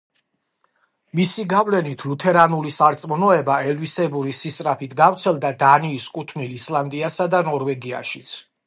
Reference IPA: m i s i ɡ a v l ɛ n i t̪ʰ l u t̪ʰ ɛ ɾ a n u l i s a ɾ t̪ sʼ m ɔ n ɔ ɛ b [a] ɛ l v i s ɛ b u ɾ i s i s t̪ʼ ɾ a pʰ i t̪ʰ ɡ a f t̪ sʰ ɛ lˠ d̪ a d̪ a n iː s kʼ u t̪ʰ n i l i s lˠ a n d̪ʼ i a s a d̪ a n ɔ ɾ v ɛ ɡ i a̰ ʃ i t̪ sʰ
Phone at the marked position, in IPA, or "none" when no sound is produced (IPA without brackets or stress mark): a